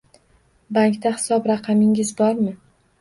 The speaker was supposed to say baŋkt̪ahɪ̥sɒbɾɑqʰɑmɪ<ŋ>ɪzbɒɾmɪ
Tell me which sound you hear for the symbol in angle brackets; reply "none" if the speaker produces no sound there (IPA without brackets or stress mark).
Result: ŋ